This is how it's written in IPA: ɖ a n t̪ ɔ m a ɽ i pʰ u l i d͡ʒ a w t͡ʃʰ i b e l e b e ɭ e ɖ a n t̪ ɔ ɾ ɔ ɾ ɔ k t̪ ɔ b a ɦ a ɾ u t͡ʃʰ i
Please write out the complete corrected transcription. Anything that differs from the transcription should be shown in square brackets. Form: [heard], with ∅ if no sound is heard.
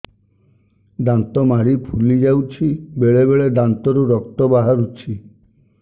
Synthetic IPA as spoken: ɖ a n t̪ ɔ m a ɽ i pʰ u l i d͡ʒ a w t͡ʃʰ i b e [ɭ] e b e ɭ e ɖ a n t̪ ɔ ɾ [u] ɾ ɔ k t̪ ɔ b a ɦ a ɾ u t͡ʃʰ i